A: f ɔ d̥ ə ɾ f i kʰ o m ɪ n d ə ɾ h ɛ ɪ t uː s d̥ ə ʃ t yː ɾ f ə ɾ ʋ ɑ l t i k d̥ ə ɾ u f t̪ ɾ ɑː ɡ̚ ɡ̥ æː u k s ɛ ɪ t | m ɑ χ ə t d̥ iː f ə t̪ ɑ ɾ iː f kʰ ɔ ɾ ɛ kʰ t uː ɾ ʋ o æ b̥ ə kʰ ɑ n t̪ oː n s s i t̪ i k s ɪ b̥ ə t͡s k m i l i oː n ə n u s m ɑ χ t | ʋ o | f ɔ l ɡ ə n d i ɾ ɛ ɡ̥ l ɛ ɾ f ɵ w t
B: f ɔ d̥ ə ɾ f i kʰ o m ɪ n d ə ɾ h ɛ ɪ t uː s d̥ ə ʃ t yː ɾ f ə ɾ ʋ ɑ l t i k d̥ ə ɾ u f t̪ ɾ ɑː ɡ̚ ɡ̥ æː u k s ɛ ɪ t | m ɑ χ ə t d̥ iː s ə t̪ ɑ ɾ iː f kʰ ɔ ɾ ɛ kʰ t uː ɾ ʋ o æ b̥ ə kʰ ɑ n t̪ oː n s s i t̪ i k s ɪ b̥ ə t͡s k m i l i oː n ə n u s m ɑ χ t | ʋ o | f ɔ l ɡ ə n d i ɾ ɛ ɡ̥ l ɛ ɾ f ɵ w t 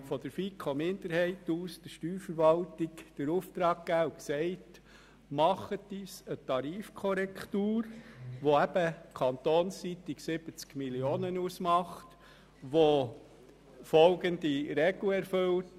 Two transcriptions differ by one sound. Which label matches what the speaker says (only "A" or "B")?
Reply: B